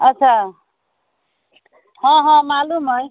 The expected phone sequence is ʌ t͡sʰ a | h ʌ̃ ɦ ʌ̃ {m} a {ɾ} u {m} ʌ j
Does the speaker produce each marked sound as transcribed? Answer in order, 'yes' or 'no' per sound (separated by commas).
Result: yes, no, yes